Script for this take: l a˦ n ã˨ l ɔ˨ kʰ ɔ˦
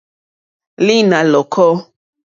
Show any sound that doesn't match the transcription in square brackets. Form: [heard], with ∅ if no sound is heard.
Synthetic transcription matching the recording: l [i˦] n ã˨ l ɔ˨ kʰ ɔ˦